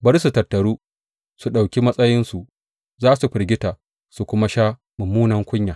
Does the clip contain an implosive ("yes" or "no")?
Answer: yes